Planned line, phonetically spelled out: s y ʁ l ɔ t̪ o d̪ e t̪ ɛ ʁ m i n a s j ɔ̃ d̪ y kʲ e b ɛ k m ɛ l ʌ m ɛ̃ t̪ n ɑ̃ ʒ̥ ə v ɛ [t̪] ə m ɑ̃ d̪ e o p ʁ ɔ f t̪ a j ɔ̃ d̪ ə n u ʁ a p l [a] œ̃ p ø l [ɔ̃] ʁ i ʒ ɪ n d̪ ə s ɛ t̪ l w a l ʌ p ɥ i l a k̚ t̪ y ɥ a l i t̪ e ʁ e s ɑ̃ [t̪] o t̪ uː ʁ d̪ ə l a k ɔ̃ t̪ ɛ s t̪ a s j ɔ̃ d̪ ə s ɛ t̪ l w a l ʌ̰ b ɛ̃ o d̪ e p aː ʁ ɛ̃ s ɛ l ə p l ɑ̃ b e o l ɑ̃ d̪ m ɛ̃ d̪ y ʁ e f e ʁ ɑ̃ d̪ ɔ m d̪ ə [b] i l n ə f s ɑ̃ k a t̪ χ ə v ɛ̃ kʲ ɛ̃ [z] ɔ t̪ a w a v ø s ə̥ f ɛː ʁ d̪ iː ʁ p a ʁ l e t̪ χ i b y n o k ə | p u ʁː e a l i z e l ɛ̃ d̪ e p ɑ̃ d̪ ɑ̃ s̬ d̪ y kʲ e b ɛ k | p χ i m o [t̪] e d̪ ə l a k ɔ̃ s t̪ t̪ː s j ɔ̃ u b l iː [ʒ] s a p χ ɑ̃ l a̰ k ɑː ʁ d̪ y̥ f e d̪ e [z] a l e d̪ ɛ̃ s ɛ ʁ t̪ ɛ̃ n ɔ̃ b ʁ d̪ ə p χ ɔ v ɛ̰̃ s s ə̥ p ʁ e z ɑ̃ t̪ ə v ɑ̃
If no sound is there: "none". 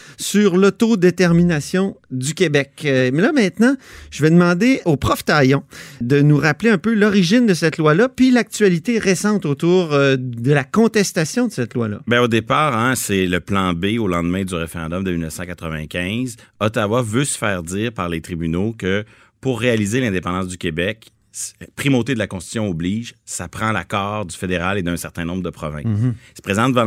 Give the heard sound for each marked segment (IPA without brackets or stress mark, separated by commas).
d̪, e, ɔ, t̪, m, z, t̪, ʒ, ʁ